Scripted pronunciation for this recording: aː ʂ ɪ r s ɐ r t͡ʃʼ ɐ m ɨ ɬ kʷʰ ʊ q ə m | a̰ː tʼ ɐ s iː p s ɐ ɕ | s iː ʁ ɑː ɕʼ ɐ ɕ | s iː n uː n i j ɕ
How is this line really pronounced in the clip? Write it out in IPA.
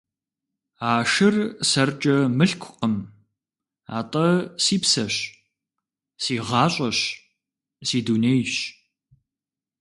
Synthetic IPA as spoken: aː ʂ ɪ r s ɐ r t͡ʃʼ ɐ m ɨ ɬ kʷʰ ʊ q ə m | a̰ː tʼ ɐ s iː p s ɐ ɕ | s iː ʁ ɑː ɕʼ ɐ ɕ | s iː d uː n e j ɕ